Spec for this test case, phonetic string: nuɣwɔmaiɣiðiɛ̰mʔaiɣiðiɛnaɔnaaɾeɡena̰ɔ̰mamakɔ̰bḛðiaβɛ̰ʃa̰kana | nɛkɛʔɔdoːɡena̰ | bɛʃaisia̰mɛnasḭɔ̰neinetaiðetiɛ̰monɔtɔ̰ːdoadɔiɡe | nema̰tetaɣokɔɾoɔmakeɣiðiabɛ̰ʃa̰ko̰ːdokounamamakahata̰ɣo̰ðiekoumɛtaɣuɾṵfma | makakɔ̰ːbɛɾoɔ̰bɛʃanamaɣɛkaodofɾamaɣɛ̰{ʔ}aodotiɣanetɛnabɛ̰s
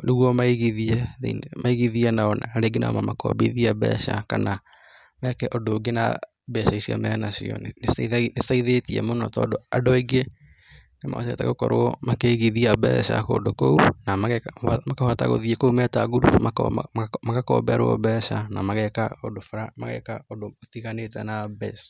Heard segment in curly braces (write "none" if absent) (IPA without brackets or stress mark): k